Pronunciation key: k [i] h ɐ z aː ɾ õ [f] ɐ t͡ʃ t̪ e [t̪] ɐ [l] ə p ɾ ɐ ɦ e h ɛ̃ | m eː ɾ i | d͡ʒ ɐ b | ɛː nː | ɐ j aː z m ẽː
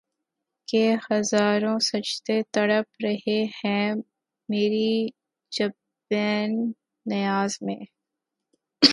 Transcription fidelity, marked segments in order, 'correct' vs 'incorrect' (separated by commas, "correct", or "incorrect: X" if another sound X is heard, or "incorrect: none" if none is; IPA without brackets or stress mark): incorrect: e, incorrect: s, correct, incorrect: ɽ